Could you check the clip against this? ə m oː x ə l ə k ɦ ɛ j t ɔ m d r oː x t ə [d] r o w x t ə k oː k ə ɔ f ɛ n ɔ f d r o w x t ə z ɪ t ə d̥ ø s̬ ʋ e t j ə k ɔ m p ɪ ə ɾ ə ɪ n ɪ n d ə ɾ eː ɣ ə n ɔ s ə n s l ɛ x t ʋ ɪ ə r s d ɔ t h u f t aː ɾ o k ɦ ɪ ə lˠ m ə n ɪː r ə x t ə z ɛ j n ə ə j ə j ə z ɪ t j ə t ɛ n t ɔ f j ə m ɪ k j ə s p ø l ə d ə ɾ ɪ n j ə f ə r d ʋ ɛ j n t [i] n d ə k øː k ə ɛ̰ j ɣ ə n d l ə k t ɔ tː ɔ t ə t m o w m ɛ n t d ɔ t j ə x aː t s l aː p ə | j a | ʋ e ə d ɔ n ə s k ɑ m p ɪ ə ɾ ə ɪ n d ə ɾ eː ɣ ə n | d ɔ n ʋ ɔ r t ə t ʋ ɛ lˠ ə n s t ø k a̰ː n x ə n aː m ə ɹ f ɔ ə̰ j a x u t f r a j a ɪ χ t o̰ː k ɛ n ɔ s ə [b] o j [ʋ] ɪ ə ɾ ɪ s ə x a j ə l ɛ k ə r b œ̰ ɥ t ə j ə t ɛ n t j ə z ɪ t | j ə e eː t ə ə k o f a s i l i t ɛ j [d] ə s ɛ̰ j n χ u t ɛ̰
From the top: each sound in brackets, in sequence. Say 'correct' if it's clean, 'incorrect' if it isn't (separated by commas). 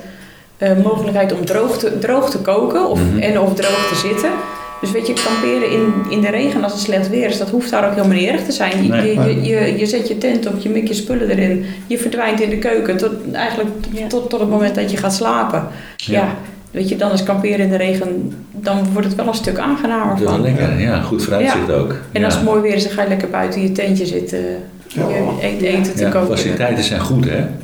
correct, incorrect, incorrect, correct, incorrect